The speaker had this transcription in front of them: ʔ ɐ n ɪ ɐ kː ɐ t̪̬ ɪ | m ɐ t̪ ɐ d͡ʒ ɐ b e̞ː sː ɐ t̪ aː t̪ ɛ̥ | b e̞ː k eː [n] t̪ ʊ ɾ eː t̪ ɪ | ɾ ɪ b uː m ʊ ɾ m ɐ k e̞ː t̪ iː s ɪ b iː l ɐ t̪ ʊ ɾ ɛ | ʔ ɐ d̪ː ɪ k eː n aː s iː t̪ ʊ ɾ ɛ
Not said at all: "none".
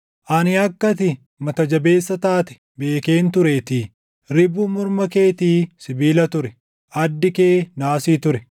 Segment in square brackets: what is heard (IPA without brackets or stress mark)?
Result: n